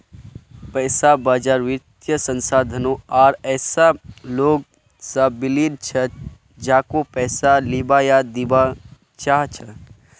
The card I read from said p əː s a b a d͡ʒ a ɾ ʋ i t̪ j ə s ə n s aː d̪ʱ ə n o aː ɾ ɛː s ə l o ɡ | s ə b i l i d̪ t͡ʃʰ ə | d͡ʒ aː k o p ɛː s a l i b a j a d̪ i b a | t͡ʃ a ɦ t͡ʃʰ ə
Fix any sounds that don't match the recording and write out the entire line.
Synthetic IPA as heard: p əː s a b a d͡ʒ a ɾ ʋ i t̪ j ə s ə n s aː d̪ʱ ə n o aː ɾ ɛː s a l o ɡ | s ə b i l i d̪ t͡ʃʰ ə | d͡ʒ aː k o p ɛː s a l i b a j a d̪ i b a | t͡ʃ a ɦ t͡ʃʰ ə